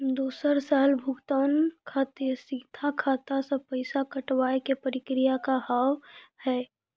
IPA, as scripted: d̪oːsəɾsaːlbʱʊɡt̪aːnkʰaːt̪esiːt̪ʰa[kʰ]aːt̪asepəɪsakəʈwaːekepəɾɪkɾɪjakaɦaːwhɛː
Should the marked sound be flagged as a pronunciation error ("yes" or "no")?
no